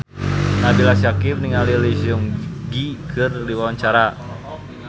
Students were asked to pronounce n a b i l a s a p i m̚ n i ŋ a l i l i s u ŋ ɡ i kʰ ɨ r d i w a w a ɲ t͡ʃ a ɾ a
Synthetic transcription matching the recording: n a b i l a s a k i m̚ n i ŋ a l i l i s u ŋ ɡ i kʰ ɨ r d i w a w a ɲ t͡ʃ a ɾ a